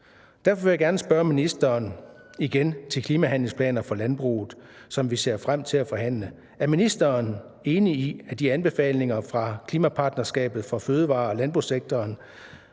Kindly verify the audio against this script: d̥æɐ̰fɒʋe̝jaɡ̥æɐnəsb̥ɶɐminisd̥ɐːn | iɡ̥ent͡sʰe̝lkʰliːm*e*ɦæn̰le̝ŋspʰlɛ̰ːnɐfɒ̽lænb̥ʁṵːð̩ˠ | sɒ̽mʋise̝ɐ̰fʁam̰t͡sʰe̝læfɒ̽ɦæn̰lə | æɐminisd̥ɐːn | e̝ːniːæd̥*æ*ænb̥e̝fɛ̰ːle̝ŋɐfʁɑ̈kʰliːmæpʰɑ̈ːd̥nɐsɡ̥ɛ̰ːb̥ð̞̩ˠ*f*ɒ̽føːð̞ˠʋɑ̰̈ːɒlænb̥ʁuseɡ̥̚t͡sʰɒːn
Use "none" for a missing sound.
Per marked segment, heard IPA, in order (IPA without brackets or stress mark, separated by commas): æ, i, f